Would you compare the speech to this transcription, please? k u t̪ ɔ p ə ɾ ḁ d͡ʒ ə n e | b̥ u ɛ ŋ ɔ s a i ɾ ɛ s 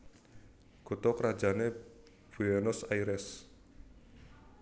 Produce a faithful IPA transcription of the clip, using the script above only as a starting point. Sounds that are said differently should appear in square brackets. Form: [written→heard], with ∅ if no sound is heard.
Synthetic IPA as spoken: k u t̪ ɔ [p→k] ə ɾ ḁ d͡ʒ [ə→a] n e | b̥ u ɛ [ŋ→n] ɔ s a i ɾ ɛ s